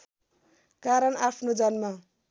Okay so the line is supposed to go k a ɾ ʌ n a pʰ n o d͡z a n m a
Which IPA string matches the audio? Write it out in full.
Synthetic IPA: k a ɾ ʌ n a pʰ n o d͡z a n m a